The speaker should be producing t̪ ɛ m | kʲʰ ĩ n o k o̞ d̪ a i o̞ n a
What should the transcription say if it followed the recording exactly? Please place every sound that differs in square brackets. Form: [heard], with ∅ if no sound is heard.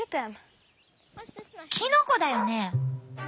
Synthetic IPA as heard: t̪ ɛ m | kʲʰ [i] n o k o̞ d̪ a [j] o̞ n [e]

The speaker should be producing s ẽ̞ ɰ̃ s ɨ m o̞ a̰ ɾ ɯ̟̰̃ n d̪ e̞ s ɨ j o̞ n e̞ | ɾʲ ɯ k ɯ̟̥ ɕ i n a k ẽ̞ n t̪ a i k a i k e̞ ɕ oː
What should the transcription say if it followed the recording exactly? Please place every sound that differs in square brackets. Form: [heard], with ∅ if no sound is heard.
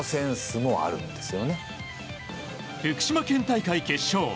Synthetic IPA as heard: s ẽ̞ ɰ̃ s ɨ m o̞ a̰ ɾ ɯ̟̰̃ n d̪ e̞ s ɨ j o̞ n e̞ | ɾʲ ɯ k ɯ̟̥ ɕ i [m] a k ẽ̞ n t̪ a i k a i k e̞ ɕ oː

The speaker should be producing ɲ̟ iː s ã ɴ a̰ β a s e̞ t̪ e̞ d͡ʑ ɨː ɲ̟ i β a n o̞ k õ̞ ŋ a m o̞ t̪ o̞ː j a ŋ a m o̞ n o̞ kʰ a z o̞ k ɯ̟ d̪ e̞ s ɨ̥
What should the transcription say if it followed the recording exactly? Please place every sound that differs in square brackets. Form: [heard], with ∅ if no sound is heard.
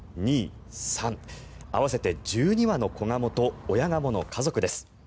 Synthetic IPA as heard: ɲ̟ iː s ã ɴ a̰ β a s e̞ t̪ e̞ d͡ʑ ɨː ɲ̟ i β a n o̞ k [o̞] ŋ a m o̞ t̪ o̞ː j a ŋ a m o̞ n o̞ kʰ a z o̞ k ɯ̟ d̪ e̞ s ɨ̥

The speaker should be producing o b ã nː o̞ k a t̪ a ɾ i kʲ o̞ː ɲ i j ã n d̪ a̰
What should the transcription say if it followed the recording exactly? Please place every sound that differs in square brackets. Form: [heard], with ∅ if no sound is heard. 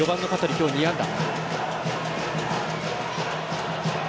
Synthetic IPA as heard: o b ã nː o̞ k a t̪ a ɾ i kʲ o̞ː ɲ i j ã n d̪ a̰

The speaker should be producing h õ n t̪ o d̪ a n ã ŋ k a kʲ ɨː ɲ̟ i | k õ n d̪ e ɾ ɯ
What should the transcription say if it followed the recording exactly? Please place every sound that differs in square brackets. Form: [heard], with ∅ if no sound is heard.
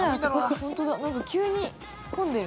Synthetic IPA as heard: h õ n t̪ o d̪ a n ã ŋ k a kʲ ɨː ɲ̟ i | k õ n d̪ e ɾ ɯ

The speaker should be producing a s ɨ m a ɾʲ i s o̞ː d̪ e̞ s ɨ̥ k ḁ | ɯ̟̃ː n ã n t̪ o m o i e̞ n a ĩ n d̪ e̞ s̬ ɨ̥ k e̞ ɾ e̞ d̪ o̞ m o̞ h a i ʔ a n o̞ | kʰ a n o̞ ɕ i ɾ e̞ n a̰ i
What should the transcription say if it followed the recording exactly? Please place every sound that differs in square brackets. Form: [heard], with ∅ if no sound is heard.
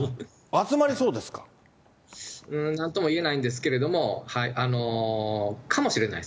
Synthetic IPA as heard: a [t͡s] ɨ m a ɾʲ i s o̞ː d̪ e̞ s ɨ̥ k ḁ | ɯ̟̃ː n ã n t̪ o m o i e̞ n a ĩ n d̪ e̞ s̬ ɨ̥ k e̞ ɾ e̞ d̪ o̞ m o̞ h a i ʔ a n o̞ | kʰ a [m] o̞ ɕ i ɾ e̞ n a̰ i

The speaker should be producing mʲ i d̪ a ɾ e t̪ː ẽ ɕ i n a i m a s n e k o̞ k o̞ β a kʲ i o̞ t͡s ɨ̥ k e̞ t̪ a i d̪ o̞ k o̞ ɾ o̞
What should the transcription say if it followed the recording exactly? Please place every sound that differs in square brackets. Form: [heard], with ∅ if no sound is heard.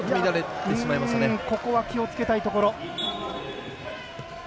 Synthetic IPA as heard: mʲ i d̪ a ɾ e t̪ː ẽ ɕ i [m] a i m a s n e k o̞ k o̞ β a kʲ i o̞ t͡s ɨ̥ k e̞ t̪ a i [t̪] o̞ k o̞ ɾ o̞

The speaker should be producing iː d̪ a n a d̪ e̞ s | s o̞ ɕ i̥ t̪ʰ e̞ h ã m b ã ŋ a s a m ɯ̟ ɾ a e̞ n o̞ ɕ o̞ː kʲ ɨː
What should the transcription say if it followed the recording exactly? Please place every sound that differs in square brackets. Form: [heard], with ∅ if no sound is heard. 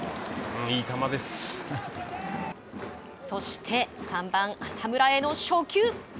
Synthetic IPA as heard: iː [t̪] a [m] a d̪ e̞ s | s o̞ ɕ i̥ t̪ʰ e̞ [s] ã m b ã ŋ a s a m ɯ̟ ɾ a e̞ n o̞ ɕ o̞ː kʲ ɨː

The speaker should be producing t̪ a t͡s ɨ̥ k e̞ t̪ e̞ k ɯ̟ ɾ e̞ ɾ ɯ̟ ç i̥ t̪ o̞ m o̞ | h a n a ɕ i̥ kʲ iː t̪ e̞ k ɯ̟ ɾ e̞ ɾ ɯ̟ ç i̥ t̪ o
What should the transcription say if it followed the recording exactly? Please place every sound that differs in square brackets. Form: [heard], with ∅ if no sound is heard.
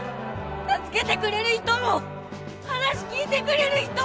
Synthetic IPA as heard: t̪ a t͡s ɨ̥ k e̞ t̪ e̞ k ɯ̟ ɾ e̞ ɾ ɯ̟ ç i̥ t̪ o̞ m o̞ | h a n a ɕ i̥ kʲ iː t̪ e̞ k ɯ̟ ɾ e̞ ɾ ɯ̟ ç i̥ t̪ o

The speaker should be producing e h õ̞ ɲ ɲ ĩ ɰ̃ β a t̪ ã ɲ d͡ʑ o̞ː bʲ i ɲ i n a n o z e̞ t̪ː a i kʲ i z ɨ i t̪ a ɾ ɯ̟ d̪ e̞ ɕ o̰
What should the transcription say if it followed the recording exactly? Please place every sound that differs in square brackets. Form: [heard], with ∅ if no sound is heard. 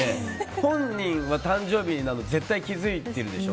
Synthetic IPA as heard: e h õ̞ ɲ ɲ ĩ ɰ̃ β a t̪ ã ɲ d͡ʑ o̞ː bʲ i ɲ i n a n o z e̞ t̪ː a i kʲ i z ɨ i t̪ [e] ɾ ɯ̟ d̪ e̞ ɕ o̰

